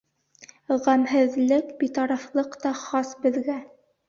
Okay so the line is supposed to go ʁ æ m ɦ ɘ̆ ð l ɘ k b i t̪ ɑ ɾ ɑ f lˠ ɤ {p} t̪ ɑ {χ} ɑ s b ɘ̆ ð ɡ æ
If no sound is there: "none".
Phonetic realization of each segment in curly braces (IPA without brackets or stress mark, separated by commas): q, χ